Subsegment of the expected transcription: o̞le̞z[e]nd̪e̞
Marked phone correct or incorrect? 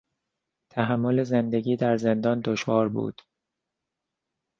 correct